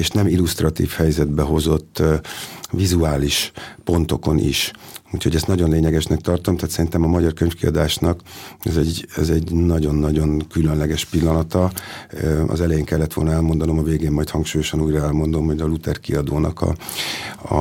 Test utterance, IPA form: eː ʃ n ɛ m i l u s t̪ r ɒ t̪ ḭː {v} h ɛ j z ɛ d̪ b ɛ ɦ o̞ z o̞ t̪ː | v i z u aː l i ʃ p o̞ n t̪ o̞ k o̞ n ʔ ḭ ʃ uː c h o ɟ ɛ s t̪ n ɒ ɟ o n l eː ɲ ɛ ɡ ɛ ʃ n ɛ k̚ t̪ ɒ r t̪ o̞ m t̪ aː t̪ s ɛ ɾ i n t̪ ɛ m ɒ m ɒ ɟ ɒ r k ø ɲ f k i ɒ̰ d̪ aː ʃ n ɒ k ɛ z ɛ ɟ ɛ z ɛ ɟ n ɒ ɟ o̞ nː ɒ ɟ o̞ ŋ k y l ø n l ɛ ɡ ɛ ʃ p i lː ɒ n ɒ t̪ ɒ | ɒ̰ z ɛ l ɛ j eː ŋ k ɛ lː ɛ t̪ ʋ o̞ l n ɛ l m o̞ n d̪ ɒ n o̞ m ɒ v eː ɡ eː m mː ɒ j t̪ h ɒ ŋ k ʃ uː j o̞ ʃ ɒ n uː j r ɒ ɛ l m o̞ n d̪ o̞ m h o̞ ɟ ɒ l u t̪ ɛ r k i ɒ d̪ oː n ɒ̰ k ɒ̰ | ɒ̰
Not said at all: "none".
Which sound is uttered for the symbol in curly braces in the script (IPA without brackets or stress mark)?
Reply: f